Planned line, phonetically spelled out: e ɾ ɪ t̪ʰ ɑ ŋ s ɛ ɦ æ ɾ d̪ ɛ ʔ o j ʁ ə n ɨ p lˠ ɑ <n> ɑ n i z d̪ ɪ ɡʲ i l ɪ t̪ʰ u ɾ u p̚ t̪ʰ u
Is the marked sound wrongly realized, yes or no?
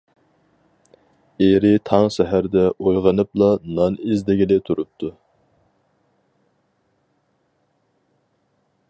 no